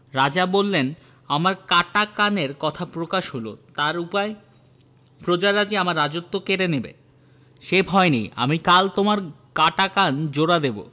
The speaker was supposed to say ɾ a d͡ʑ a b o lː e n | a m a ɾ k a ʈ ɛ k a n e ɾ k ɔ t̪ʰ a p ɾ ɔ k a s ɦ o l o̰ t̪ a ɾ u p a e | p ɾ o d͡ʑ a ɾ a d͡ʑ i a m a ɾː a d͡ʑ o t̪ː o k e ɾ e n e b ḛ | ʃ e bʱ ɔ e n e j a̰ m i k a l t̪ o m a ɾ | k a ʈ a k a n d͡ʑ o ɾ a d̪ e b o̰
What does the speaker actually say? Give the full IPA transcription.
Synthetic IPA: ɾ a d͡ʑ a b o lː e n | a m a ɾ k a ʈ a k a n e ɾ k ɔ t̪ʰ a p ɾ o k a ʃ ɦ o l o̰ t̪ a ɾ u p a e | p ɾ o d͡ʑ a ɾ a d͡ʑ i a m a ɾː a d͡ʑ o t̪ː o k e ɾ e n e b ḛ | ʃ e bʱ ɔ e n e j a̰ m i k a l t̪ o m a ɾ | k a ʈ a k a n d͡ʑ o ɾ a d̪ e b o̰